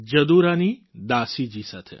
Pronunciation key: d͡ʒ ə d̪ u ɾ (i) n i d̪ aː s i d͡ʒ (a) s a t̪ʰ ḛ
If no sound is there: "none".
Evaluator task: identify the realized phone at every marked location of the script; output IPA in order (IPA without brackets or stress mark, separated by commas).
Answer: a, i